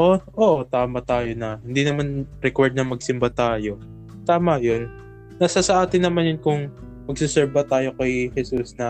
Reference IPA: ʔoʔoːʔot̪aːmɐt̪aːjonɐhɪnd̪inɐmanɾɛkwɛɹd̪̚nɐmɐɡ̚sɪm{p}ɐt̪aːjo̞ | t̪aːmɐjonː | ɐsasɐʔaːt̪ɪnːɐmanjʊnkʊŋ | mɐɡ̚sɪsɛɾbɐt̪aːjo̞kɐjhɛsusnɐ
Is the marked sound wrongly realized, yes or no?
yes